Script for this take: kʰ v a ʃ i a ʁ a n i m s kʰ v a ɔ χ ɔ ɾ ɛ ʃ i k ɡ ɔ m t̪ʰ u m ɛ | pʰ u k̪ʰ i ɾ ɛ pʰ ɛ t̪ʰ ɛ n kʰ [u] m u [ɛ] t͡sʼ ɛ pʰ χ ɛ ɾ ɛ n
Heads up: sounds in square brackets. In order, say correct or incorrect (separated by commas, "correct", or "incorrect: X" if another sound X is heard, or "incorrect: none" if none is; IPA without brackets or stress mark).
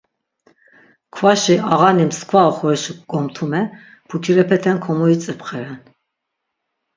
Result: incorrect: ɔ, incorrect: i